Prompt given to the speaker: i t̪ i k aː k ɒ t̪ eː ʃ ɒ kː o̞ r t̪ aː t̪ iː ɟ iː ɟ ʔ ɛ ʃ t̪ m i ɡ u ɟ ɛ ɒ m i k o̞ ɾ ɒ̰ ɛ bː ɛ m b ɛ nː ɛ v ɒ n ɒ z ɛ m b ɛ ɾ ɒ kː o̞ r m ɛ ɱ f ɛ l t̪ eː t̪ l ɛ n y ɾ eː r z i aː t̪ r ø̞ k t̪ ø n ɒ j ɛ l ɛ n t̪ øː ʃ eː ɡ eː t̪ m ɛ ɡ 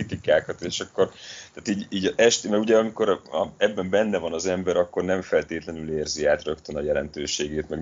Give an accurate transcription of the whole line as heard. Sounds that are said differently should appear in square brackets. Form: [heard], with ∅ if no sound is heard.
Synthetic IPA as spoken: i t̪ i k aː k ɒ t̪ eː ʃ ɒ kː o̞ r t̪ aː t̪ iː ɟ iː ɟ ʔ ɛ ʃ t̪ m [ɛ] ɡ u ɟ ɛ ɒ m i k o̞ ɾ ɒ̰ ɛ bː ɛ m b ɛ nː ɛ v ɒ n ɒ z ɛ m b ɛ ɾ ɒ kː o̞ r [n] ɛ ɱ f ɛ l t̪ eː t̪ l ɛ n y [l] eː r z i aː t̪ r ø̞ k t̪ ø n ɒ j ɛ l ɛ n t̪ øː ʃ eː ɡ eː t̪ m ɛ ɡ